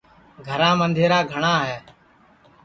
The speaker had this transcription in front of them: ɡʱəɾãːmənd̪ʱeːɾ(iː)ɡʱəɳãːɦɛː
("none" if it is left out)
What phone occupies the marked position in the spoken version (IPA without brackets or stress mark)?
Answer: aː